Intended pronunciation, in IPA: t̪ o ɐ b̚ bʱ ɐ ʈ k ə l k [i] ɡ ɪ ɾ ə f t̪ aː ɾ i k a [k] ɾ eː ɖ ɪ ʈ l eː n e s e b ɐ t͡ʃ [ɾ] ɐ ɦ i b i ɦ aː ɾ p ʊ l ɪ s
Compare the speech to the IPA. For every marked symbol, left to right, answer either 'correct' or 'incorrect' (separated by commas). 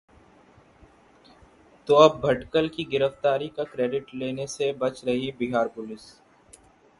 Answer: correct, correct, correct